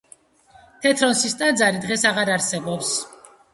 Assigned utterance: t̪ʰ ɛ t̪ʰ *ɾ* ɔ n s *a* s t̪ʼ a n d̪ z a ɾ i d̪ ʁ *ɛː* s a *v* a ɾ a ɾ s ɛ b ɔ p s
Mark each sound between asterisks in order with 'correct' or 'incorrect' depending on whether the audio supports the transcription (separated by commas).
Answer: correct, incorrect, incorrect, incorrect